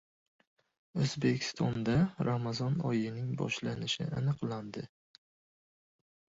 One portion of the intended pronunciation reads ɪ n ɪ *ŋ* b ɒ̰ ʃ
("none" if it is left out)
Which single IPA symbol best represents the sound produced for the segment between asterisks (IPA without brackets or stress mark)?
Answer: ŋ